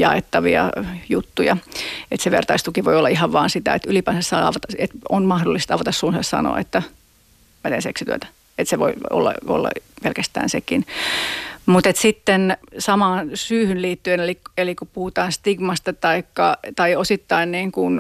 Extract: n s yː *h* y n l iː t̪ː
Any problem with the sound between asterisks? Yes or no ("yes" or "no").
no